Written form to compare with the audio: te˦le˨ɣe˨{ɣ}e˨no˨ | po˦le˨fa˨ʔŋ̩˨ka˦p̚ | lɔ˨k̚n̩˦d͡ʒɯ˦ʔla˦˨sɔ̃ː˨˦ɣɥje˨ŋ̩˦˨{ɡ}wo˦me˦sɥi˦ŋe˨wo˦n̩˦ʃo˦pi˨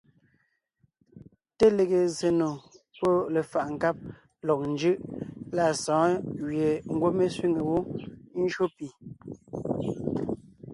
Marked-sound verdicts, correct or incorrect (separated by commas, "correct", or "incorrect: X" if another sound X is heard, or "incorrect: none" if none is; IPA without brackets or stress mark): incorrect: z, correct